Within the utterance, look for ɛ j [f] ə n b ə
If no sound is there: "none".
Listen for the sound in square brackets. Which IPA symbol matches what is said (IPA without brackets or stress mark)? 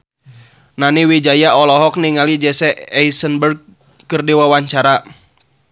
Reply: s